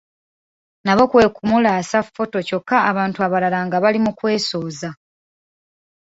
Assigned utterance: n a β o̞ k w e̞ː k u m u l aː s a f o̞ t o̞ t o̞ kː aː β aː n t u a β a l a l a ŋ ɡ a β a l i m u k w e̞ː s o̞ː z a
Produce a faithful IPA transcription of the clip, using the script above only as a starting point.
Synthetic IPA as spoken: n a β o̞ k w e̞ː k u m u l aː s a f o̞ t o̞ c o̞ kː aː β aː n t u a β a l a l a ŋ ɡ a β a l i m u k w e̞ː s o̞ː z a